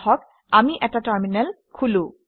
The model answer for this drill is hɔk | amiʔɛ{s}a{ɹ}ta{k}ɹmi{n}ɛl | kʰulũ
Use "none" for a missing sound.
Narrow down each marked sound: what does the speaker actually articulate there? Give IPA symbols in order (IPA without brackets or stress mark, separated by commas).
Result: t, none, none, n